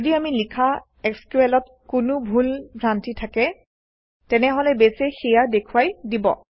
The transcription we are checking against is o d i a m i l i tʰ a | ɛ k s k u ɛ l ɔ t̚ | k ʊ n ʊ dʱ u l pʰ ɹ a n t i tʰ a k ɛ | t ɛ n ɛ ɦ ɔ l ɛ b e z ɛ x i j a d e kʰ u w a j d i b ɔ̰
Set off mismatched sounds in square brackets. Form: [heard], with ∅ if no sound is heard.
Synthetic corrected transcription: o d i a m i l i [kʰ] a | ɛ k s k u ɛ l ɔ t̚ | k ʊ n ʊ [bʱ] u l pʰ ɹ a n t i tʰ a k ɛ | t ɛ n ɛ ɦ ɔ l ɛ b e [s] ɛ x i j a d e kʰ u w a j d i b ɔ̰